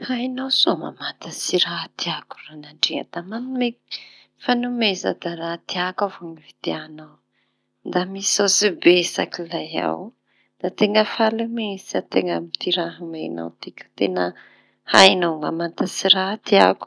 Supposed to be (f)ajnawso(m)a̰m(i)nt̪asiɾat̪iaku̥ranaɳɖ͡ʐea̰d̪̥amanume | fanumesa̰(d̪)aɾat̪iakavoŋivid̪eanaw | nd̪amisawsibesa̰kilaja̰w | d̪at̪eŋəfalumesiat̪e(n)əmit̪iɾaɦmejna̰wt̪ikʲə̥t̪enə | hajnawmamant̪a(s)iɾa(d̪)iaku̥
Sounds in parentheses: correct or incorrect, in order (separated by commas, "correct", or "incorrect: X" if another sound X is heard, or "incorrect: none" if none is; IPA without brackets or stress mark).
incorrect: h, correct, incorrect: a, correct, incorrect: ŋ, correct, incorrect: t̪